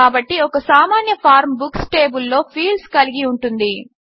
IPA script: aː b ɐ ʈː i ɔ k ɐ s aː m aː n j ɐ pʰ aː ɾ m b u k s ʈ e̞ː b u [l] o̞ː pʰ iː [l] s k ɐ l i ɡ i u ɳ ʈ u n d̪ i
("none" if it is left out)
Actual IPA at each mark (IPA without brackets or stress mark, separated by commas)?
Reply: lː, l